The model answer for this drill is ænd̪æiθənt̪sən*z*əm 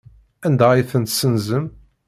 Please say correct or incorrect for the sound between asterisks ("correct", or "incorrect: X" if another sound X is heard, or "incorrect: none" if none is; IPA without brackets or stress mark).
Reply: correct